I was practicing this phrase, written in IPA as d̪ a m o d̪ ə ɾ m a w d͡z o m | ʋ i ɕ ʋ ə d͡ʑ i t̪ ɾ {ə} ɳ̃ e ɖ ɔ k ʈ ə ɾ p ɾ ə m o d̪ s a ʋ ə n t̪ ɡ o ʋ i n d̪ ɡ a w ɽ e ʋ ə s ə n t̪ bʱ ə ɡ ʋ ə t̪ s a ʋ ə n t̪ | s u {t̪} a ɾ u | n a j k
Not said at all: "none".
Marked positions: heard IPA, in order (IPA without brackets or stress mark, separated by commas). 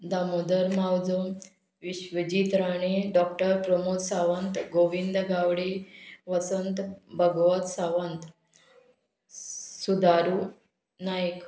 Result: a, d̪